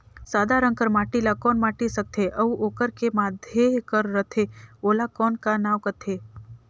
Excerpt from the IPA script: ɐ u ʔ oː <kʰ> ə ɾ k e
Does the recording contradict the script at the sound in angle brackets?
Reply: yes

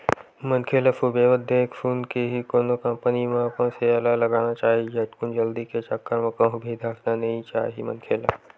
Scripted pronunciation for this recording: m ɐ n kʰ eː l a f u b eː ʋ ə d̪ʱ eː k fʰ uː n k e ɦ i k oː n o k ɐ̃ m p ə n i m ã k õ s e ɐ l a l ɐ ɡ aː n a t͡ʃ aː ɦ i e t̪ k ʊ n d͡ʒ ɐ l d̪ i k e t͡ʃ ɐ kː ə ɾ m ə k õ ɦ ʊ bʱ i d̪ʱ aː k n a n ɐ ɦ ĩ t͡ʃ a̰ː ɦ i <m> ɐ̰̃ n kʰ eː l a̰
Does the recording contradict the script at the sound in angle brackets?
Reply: no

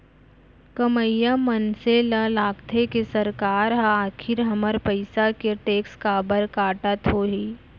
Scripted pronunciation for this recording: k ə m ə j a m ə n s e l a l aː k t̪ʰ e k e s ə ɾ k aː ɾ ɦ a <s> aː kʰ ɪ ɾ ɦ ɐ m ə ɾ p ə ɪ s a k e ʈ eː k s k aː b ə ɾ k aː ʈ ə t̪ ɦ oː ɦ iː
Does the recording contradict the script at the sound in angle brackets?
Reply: yes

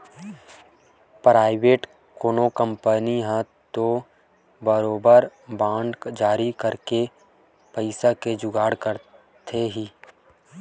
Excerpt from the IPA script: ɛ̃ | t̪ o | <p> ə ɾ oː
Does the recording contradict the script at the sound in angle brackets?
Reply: yes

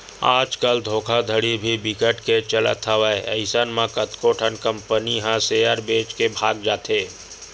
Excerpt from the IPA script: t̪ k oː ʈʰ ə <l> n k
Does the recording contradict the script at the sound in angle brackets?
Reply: yes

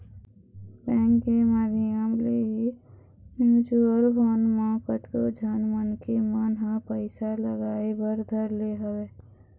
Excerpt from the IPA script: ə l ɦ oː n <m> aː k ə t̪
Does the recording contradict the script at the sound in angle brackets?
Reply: no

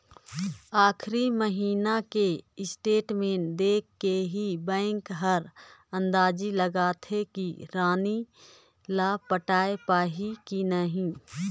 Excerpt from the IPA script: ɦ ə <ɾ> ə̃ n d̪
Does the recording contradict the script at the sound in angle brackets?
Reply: no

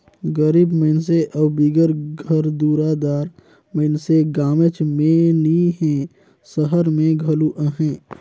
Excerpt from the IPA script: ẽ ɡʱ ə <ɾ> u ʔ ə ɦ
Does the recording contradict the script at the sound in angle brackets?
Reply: yes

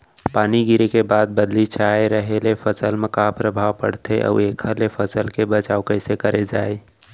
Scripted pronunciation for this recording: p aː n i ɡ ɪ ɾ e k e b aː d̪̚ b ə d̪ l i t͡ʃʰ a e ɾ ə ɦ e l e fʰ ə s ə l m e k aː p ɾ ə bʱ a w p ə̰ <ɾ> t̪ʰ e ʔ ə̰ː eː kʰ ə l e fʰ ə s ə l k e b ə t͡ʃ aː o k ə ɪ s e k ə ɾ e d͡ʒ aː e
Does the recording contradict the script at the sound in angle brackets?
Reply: yes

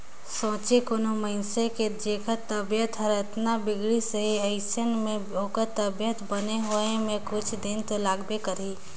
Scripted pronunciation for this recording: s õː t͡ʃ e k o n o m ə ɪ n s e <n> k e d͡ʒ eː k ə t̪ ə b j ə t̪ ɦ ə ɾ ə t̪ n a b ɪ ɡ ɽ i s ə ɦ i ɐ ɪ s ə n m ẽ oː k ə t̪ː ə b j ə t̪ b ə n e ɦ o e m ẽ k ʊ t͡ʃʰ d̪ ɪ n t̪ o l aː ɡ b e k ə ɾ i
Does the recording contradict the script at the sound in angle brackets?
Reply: yes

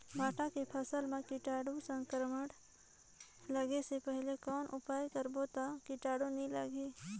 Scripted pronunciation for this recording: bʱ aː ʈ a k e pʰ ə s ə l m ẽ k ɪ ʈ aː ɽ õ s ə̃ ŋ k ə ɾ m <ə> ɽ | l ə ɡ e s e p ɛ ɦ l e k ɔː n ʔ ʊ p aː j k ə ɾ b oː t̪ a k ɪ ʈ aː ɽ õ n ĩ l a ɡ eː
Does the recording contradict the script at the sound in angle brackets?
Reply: no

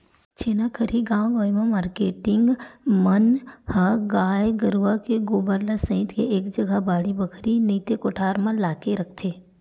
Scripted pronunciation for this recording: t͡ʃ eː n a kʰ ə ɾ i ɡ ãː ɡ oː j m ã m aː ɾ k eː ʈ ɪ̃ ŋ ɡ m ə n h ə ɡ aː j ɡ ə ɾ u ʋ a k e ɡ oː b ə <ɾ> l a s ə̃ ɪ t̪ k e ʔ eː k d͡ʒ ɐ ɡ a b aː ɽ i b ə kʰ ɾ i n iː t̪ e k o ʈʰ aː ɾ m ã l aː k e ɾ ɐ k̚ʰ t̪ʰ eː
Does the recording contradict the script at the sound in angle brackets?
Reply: no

